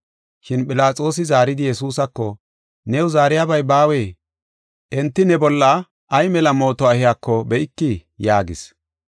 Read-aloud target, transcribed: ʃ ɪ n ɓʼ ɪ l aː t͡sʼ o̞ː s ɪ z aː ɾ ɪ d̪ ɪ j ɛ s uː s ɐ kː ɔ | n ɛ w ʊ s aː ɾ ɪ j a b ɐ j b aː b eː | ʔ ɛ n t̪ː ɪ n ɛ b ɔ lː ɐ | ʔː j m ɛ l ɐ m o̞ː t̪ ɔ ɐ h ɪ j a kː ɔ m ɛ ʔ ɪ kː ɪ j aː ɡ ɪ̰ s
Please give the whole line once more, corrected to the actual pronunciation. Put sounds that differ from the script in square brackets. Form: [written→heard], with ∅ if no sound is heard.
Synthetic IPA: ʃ ɪ n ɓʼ ɪ l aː t͡sʼ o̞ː s ɪ z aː ɾ ɪ d̪ ɪ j ɛ s uː s ɐ kː ɔ | n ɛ w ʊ [s→z] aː ɾ ɪ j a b ɐ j b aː [b→w] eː | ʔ ɛ n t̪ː ɪ n ɛ b ɔ lː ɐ | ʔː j m ɛ l ɐ m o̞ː t̪ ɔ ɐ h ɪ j a kː ɔ [m→b] ɛ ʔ ɪ kː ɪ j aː ɡ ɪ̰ s